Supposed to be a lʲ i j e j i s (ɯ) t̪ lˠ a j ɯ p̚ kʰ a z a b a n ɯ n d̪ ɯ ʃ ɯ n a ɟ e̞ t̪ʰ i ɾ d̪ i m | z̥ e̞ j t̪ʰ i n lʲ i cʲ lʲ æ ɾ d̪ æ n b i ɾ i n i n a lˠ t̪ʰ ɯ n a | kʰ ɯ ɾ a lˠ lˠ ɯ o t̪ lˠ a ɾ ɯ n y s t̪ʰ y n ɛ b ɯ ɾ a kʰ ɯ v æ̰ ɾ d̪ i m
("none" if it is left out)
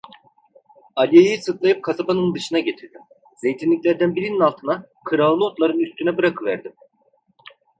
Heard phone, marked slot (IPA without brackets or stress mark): ɯ